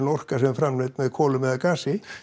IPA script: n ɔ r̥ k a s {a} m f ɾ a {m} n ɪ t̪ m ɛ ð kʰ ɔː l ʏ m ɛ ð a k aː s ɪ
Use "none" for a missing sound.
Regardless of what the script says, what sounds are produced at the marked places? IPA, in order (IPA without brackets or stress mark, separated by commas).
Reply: ɛ, m